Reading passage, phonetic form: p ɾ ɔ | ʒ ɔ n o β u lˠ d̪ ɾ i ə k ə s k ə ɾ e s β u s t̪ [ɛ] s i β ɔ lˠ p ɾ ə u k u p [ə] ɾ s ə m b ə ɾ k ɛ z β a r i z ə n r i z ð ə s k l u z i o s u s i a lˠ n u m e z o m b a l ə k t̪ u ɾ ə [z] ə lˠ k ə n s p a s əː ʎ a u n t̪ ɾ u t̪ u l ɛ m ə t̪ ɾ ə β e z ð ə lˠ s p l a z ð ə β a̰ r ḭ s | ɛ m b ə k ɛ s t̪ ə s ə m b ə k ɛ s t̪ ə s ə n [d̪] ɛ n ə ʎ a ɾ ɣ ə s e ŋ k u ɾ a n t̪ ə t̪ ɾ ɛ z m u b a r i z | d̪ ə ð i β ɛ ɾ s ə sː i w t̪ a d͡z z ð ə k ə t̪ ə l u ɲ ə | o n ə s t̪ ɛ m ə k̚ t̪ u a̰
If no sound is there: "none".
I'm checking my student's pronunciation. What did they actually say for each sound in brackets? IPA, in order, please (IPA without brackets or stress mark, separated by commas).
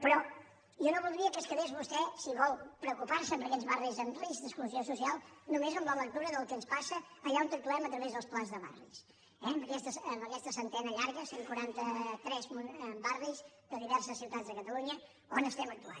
ɛ, a, ð, t̪